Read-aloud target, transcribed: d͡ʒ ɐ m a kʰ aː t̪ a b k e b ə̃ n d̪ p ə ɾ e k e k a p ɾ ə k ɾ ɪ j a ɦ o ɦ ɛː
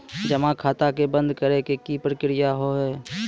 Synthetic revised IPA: d͡ʒ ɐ m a kʰ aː t̪ a k e b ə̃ n d̪ k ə ɾ e k e k i p ɾ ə k ɾ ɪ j a ɦ o ɦ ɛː